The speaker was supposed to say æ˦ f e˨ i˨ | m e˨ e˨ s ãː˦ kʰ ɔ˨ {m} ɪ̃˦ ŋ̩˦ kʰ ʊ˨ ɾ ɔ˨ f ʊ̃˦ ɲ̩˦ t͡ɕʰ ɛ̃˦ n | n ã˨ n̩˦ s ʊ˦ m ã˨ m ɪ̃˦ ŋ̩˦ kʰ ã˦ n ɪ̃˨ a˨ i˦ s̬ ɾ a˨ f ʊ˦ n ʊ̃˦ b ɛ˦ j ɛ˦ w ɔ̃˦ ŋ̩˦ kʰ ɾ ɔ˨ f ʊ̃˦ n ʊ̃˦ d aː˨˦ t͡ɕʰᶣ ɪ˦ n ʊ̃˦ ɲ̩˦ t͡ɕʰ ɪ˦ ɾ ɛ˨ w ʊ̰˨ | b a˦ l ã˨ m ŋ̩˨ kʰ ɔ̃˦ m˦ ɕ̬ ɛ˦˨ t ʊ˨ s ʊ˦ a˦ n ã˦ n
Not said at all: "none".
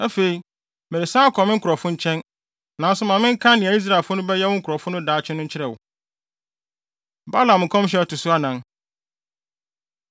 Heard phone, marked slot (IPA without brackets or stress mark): m